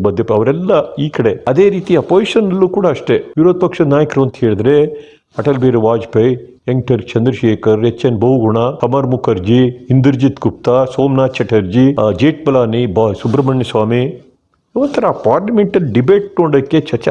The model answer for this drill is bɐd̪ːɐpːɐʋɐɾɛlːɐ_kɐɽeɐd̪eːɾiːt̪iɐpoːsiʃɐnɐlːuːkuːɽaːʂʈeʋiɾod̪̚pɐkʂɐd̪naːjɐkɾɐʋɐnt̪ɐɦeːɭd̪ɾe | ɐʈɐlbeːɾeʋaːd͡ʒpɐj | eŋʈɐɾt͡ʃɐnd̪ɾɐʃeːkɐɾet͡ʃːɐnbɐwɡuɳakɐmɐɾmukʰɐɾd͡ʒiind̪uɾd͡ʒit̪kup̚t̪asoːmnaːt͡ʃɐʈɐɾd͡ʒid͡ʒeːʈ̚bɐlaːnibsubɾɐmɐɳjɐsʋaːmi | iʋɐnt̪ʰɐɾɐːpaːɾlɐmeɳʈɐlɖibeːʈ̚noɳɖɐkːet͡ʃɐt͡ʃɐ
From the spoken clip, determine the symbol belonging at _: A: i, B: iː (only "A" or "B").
B